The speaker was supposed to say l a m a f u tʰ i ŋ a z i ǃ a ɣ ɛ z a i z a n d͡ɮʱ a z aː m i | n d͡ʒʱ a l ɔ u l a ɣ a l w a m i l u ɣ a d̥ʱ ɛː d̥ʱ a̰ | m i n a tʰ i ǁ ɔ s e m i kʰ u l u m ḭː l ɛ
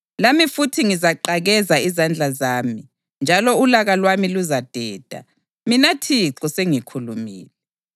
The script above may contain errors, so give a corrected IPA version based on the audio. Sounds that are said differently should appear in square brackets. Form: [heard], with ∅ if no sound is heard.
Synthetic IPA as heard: l a m [i] f u tʰ i ŋ [i] z [a] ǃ a ɣ ɛ z a i z a n d͡ɮʱ a z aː m i | n d͡ʒʱ a l ɔ u l a ɣ a l w a m i l u [z] a d̥ʱ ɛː d̥ʱ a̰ | m i n a tʰ i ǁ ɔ s e [ŋ] i kʰ u l u m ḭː l ɛ